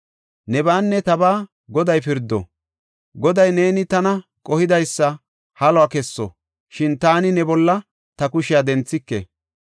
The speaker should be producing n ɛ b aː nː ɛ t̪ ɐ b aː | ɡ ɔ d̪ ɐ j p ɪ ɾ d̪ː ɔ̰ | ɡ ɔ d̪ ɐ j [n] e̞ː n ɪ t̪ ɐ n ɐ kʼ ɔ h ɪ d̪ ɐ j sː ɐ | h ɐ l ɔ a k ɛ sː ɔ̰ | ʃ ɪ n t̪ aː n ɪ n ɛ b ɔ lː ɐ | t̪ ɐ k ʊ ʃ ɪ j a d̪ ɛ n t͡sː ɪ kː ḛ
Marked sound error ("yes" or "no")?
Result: no